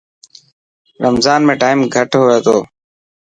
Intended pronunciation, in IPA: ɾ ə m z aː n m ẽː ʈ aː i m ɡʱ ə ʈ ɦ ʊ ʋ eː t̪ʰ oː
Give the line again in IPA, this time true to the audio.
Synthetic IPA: ɾ ə m z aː n m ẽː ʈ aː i m ɡʱ ə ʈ ɦ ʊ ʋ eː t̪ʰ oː